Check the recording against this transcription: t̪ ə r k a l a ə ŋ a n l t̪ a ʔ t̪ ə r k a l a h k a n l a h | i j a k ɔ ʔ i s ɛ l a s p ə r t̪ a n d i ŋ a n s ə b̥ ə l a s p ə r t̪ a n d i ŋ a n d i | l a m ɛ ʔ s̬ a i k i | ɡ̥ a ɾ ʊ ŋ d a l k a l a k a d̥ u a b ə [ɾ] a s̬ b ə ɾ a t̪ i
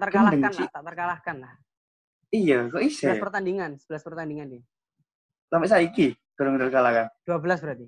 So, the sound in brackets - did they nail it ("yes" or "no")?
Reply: no